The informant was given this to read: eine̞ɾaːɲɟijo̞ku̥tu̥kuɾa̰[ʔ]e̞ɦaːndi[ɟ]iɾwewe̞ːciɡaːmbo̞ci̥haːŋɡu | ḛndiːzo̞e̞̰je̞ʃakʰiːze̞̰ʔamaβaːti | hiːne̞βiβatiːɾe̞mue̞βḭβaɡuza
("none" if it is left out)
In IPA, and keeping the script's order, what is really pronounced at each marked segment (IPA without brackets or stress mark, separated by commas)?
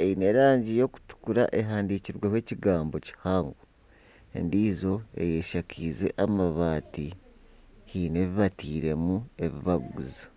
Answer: ʔ, c